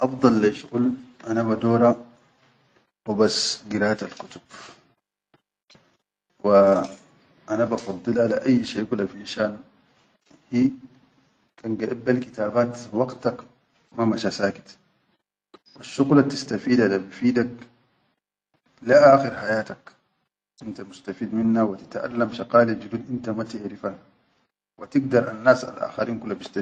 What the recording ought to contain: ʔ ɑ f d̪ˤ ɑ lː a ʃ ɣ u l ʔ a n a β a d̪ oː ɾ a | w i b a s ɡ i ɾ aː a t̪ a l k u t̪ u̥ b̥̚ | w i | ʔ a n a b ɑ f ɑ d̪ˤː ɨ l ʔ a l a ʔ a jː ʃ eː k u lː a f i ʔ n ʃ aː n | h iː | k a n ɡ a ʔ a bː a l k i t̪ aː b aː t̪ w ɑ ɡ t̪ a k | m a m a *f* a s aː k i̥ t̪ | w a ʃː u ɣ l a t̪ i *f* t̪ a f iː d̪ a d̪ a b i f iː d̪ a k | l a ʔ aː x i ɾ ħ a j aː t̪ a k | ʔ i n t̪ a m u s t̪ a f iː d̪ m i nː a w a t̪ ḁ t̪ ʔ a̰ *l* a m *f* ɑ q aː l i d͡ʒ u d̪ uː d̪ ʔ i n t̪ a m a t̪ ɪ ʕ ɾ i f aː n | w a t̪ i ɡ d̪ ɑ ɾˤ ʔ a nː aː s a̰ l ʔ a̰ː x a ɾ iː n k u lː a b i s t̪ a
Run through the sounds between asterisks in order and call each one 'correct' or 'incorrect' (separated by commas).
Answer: incorrect, incorrect, incorrect, incorrect